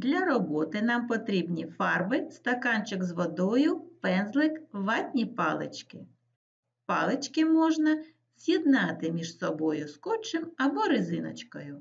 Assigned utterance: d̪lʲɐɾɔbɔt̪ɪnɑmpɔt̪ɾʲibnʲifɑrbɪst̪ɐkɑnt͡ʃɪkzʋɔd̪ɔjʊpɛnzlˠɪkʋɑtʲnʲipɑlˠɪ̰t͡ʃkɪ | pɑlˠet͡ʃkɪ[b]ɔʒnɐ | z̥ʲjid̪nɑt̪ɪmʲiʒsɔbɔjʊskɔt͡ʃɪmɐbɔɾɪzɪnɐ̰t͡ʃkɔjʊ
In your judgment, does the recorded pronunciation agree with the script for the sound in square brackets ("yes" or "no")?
no